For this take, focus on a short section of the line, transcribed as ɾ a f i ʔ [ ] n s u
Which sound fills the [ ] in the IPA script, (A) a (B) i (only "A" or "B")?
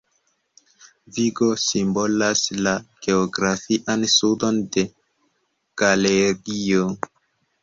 A